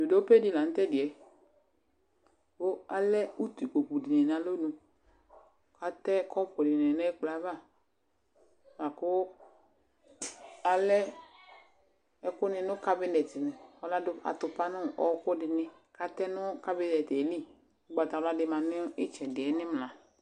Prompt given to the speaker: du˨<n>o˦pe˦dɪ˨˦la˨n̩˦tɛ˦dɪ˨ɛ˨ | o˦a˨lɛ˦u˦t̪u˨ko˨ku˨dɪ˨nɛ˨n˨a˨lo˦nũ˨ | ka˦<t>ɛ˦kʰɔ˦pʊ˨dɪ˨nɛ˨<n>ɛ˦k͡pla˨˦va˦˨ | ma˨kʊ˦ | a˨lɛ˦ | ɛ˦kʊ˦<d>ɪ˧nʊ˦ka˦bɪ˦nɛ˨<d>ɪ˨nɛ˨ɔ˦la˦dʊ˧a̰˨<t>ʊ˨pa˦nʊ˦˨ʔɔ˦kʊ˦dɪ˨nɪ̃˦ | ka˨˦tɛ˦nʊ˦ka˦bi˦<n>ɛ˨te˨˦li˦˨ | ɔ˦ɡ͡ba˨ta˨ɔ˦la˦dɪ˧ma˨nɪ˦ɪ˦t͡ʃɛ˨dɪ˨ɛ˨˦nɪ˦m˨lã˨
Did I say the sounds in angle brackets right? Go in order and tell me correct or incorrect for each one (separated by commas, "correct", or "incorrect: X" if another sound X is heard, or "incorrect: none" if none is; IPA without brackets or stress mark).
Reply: incorrect: d, correct, correct, incorrect: n, incorrect: t, correct, correct